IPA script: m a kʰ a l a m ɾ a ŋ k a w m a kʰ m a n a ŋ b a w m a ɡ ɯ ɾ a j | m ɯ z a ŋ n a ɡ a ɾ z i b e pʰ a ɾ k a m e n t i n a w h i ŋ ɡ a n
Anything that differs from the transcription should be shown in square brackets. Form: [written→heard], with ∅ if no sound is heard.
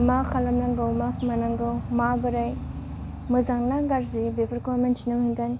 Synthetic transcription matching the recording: m a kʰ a l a m [ɾ→l] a ŋ [k→ɡ] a w m a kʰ m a n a ŋ [b→ɡ] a w m a [ɡ→b] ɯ ɾ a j | m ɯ z a ŋ n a ɡ a ɾ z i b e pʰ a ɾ k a m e n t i n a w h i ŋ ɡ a n